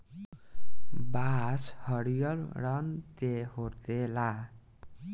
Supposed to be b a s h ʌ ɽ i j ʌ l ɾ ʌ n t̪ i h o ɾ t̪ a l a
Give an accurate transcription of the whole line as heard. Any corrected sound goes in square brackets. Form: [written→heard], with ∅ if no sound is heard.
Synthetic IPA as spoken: b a s h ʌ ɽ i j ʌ l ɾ ʌ n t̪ [i→e] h o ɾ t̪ [a→e] l a